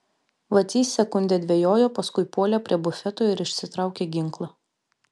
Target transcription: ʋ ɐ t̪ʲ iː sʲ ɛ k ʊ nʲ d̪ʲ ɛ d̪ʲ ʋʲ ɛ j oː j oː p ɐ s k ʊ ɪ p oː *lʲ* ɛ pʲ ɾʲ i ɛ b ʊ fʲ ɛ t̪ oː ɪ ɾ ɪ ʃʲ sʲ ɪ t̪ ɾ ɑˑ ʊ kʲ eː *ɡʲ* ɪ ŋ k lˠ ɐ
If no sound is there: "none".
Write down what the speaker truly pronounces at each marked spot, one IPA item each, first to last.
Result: lʲ, ɡʲ

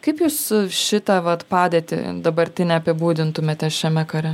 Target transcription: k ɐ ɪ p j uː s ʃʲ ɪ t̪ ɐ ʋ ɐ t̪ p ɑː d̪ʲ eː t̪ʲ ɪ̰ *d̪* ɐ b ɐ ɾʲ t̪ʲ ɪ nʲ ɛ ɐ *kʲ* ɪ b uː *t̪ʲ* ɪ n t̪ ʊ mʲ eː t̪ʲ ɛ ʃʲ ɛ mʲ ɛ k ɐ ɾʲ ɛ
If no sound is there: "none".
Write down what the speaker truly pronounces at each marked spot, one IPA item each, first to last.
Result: d̪, pʲ, d̪ʲ

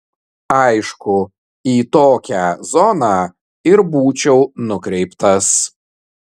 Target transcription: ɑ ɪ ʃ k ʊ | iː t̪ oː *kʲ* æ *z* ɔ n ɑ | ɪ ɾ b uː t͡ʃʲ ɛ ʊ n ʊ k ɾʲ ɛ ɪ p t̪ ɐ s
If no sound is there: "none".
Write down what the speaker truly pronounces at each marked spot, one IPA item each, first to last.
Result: kʲ, z

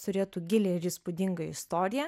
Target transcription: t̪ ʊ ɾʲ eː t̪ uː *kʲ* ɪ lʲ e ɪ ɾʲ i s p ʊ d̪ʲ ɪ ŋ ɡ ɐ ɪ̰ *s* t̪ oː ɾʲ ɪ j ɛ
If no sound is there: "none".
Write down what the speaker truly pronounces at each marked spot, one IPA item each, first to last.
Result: ɡʲ, s

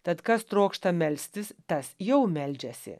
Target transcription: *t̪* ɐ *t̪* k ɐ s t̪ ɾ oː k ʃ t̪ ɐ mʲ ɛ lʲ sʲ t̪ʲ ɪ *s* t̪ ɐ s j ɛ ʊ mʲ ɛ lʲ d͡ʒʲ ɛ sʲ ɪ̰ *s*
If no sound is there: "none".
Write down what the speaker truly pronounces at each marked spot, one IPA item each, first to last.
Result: t̪, t̪, s, none

